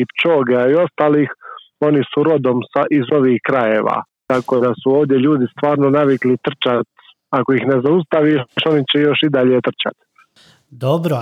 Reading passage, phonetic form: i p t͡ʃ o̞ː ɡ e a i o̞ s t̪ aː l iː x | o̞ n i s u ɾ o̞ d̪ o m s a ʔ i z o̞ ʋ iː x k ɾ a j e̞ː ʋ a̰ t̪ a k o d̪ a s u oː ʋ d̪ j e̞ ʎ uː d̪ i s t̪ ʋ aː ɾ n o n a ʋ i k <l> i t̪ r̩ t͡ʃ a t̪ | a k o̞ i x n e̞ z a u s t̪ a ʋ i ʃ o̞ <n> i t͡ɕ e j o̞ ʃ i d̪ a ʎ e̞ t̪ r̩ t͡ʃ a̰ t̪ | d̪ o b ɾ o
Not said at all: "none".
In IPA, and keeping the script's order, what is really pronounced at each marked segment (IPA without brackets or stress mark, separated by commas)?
l, n